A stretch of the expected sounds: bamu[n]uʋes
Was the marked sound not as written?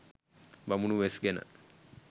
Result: no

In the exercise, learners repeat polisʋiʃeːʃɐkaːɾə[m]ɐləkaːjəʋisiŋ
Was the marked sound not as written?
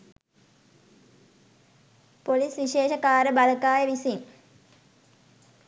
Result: yes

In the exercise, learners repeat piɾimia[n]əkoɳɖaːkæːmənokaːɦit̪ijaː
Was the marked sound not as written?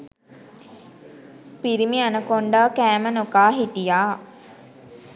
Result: no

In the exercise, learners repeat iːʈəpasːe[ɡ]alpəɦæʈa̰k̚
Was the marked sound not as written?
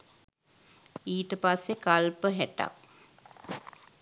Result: yes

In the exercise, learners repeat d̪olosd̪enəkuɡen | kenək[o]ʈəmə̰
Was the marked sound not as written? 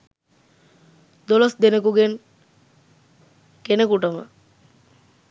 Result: yes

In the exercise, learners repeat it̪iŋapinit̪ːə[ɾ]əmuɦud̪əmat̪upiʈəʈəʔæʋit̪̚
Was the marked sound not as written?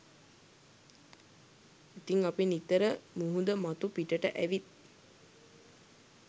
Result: no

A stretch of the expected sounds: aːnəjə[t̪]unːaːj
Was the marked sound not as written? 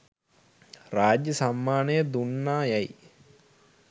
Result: yes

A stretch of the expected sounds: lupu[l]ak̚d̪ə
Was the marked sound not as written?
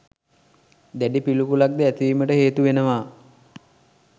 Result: no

